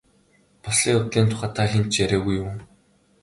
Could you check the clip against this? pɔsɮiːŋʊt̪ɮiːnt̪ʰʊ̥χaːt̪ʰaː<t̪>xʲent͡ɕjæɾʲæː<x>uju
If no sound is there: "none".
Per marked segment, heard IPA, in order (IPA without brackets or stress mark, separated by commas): none, ɣ